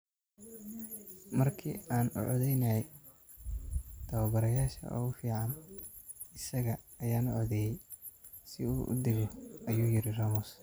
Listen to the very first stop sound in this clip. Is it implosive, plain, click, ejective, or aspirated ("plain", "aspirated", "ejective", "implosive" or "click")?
aspirated